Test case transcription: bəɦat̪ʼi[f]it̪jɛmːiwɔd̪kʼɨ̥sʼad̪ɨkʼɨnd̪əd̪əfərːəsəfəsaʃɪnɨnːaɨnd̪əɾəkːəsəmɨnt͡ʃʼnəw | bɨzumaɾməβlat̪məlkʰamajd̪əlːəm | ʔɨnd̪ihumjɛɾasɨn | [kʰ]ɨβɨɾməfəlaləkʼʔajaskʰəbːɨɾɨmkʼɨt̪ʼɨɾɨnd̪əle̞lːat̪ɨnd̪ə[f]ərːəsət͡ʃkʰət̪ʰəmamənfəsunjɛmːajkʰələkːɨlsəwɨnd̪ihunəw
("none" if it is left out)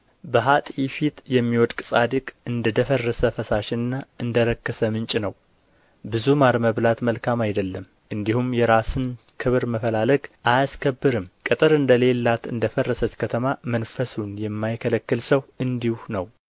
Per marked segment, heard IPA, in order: f, kʰ, f

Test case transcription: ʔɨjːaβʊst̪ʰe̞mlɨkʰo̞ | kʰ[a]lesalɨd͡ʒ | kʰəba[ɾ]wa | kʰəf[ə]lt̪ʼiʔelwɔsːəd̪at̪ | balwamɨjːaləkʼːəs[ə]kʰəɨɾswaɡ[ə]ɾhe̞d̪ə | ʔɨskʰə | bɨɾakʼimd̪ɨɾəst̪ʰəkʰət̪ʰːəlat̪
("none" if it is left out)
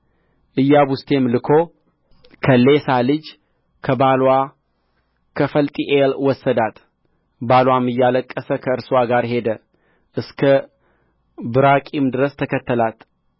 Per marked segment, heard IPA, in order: ə, l, ə, ə, a

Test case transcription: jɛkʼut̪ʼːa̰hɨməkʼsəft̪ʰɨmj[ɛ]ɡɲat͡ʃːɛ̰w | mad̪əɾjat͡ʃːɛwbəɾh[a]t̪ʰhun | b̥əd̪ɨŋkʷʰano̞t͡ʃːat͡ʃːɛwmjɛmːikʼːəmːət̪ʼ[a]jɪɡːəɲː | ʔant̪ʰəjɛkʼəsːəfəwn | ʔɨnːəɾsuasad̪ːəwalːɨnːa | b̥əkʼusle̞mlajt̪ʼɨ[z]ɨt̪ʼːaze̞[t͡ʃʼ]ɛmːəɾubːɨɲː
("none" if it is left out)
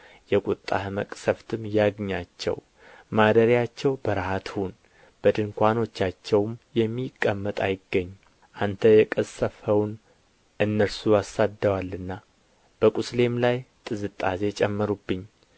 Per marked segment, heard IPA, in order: a, a, a, z, t͡ʃʼ

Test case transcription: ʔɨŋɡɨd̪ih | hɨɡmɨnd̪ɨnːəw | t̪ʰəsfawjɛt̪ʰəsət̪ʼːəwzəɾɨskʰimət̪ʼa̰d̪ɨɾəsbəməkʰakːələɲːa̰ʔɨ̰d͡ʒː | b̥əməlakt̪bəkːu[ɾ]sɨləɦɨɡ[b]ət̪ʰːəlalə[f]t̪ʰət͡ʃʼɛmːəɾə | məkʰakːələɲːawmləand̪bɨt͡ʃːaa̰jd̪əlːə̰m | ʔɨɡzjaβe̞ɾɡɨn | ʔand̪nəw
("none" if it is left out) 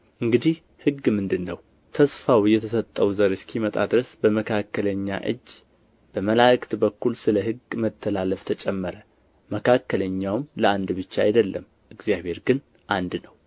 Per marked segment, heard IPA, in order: l, m, f

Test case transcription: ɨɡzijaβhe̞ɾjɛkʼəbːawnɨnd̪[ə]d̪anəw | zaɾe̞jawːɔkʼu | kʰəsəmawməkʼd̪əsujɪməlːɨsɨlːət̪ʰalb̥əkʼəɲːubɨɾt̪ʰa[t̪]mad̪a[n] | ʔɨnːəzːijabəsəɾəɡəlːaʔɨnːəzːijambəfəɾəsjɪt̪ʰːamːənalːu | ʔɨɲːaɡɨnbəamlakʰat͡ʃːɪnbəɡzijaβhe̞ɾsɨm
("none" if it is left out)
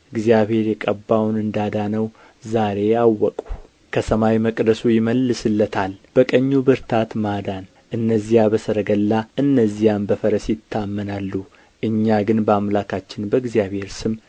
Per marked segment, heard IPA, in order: a, t̪, n

